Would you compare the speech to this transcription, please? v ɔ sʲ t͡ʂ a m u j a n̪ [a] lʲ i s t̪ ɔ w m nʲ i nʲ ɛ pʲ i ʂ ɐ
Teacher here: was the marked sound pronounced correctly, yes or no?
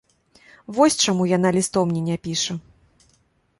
yes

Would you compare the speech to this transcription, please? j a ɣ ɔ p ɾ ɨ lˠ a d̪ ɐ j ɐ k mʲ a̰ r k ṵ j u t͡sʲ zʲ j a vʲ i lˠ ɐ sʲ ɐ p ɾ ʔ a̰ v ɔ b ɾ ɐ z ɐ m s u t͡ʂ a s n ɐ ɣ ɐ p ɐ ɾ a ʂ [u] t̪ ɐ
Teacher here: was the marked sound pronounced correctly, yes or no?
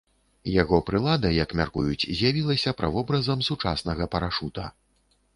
yes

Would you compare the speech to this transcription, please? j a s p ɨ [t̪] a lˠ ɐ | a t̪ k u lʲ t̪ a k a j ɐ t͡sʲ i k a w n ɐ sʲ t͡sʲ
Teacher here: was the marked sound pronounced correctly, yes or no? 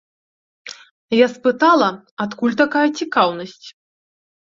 yes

